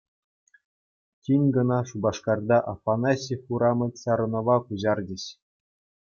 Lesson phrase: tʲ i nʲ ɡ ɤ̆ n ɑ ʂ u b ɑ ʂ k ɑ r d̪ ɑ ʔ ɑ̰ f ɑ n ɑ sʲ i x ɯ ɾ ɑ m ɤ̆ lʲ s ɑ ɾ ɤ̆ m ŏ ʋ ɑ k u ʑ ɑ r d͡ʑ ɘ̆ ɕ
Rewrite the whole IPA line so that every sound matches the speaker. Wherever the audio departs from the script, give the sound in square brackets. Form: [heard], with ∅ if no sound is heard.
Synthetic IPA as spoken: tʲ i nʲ ɡ ɤ̆ n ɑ ʂ u b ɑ ʂ k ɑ r d̪ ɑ ʔ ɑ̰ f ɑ n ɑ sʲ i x [u] ɾ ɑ m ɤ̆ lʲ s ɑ ɾ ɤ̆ [n] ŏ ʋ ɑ k u ʑ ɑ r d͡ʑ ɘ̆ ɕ